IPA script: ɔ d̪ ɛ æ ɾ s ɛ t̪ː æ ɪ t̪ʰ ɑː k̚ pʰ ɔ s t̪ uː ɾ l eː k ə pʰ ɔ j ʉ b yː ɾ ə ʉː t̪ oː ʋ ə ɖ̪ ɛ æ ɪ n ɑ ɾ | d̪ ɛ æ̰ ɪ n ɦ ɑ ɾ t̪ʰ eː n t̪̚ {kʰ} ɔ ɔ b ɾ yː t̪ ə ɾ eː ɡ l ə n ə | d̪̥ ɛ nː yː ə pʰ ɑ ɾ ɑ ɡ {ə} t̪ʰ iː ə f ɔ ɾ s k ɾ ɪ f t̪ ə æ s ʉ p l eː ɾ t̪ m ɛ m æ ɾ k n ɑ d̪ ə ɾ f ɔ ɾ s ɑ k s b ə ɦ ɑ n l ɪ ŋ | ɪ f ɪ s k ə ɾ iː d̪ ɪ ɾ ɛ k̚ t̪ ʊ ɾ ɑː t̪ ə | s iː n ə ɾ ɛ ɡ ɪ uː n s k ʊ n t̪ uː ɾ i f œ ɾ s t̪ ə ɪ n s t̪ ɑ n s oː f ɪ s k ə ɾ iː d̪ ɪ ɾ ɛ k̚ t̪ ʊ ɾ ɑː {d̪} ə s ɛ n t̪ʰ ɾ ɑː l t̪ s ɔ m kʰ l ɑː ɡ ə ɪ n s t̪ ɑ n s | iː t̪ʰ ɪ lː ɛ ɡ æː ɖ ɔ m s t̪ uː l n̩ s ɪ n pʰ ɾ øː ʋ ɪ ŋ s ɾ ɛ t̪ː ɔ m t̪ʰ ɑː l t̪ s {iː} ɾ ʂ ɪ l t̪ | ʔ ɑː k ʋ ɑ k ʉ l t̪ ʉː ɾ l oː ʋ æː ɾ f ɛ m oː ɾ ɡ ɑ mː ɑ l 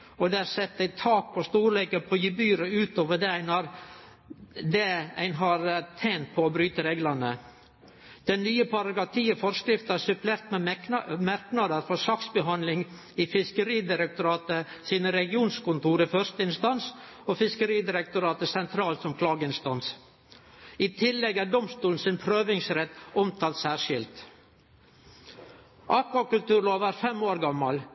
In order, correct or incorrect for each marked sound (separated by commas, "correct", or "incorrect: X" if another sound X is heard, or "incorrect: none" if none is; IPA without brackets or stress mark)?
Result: incorrect: pʰ, incorrect: ɑ, incorrect: t̪, incorrect: æː